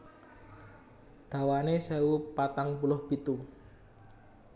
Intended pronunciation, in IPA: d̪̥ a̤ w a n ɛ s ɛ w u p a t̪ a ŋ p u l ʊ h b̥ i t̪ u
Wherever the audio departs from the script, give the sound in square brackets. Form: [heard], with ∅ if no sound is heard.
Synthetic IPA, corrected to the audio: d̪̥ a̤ w a n [e] s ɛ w u p a t̪ a ŋ p u l ʊ h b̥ i t̪ u